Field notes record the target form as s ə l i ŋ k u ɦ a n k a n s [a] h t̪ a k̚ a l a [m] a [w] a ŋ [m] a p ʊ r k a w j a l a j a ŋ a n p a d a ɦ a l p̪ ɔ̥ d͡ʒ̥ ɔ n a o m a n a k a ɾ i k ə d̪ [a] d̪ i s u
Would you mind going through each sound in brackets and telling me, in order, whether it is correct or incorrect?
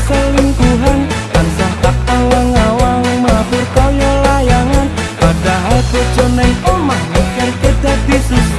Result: correct, incorrect, correct, correct, correct

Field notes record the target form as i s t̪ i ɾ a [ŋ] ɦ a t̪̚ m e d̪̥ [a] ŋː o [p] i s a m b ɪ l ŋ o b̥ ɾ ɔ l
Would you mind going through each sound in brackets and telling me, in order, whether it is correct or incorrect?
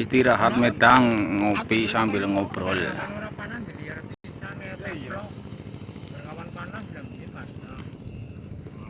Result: incorrect, correct, correct

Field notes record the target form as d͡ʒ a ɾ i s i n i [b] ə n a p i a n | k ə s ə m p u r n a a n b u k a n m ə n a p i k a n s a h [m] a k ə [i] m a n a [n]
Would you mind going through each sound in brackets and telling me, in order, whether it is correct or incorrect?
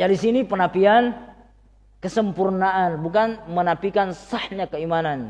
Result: incorrect, incorrect, correct, correct

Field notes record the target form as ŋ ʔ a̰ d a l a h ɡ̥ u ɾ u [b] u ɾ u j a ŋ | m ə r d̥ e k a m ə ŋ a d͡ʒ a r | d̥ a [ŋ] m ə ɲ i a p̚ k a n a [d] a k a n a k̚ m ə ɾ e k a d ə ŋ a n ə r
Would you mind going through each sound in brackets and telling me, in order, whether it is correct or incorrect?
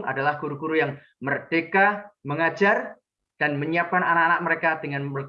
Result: incorrect, incorrect, incorrect

